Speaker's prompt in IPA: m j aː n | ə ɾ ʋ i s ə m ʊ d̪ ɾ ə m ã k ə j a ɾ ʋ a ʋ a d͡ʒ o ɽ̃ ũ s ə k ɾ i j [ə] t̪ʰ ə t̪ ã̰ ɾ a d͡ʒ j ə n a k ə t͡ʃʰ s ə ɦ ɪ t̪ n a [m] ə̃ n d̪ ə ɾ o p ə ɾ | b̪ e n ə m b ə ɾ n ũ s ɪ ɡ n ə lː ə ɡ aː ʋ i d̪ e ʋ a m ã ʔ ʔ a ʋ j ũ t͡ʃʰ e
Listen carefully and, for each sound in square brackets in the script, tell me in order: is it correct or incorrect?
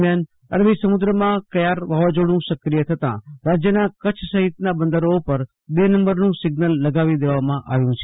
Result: correct, incorrect: b

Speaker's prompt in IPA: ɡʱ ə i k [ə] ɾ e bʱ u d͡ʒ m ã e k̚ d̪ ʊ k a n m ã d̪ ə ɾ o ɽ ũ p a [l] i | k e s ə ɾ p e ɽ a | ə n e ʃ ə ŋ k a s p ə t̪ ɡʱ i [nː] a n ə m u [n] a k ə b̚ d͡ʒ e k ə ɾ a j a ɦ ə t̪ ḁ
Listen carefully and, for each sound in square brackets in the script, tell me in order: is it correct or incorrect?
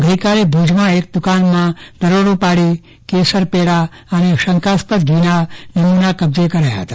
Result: incorrect: a, incorrect: ɽ, incorrect: n, correct

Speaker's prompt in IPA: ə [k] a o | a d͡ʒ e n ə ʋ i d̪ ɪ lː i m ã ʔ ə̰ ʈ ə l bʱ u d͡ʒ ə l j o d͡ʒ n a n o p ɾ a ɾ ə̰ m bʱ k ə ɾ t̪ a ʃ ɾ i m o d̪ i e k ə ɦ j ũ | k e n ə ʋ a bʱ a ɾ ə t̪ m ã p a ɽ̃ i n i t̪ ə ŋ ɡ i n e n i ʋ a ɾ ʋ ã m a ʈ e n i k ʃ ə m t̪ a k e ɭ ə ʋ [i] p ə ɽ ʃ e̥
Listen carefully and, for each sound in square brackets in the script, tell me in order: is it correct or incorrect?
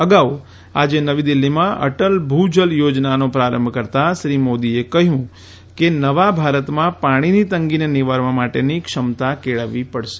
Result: incorrect: ɡ, correct

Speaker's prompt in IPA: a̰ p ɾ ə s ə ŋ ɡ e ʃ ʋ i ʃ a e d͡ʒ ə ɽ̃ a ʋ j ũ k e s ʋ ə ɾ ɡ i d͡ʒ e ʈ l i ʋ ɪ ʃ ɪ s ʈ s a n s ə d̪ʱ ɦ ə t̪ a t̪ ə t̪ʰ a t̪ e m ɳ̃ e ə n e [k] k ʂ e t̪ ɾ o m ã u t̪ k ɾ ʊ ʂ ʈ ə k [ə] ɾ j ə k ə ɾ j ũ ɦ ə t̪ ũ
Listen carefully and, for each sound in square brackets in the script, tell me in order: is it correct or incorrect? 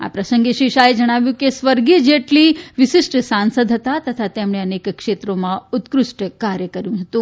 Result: correct, incorrect: a

